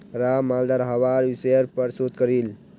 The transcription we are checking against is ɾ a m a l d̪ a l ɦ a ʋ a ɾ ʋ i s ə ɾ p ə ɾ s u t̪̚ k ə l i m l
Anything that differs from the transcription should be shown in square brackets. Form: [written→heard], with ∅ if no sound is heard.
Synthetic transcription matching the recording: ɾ a m a l d̪ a [l→ɾ] ɦ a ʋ a ɾ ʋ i s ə ɾ p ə ɾ s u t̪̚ k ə [l→ɾ] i [m→∅] l